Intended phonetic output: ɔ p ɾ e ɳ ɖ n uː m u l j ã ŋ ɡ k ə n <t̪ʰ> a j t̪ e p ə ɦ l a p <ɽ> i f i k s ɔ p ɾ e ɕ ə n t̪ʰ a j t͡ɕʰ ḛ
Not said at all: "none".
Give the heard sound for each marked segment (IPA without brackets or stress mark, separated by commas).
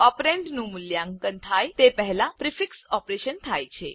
t̪ʰ, ɾ